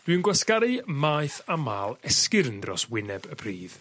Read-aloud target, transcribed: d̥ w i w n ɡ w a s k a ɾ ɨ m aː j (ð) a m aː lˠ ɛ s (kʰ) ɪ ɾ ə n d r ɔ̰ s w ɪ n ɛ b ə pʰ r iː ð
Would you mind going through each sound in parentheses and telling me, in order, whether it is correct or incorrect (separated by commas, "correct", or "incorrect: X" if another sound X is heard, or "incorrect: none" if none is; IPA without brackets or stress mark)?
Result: incorrect: θ, incorrect: k